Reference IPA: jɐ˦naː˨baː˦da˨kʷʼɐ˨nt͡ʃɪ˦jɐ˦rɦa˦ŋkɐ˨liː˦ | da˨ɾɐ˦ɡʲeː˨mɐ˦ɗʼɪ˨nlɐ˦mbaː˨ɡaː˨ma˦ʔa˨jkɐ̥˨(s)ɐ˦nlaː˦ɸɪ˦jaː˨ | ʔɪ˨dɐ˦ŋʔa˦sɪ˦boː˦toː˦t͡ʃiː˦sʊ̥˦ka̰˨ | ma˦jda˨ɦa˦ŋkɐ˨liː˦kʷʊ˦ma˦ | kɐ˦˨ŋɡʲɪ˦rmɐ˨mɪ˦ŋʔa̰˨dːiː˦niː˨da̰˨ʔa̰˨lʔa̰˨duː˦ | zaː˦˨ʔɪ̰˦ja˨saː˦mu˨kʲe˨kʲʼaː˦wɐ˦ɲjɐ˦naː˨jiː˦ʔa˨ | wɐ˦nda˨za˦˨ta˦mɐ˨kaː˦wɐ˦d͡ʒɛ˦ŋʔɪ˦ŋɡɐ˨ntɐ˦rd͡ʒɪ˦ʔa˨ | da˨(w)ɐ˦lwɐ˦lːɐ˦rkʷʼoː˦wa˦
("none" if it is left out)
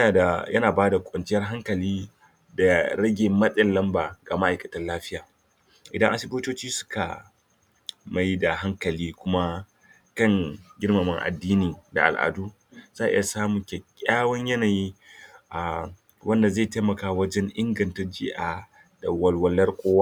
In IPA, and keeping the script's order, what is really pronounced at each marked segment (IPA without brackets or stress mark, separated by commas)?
t, w